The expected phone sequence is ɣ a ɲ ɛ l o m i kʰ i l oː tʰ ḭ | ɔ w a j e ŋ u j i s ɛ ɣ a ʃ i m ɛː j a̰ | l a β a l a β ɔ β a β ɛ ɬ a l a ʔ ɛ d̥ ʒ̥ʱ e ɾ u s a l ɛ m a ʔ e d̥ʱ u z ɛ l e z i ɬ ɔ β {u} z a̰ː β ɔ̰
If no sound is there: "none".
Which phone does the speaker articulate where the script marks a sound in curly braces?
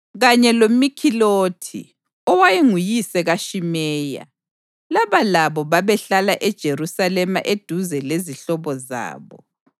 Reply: ɔ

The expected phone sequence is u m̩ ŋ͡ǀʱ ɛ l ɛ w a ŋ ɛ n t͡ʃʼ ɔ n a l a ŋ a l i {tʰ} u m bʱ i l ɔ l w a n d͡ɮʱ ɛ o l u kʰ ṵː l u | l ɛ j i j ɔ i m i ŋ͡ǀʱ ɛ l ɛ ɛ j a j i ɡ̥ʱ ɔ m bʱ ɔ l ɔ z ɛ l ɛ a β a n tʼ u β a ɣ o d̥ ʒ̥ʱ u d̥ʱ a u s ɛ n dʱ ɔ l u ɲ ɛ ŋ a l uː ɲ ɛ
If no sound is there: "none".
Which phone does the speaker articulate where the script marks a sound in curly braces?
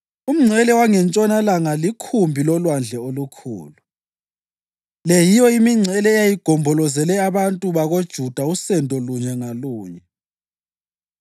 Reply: kʰ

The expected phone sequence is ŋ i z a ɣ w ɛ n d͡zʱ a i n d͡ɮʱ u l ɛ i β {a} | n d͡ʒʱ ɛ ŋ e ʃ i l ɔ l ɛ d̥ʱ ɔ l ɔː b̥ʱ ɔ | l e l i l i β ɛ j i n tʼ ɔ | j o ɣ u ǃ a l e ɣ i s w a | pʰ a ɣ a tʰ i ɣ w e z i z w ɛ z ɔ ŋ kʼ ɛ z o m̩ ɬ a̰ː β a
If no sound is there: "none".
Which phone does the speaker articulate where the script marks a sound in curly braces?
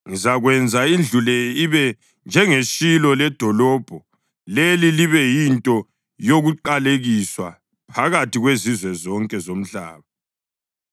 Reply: ɛ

